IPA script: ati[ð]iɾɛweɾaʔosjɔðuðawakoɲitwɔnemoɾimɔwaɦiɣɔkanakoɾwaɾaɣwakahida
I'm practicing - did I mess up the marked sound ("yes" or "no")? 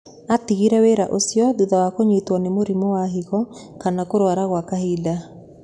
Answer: yes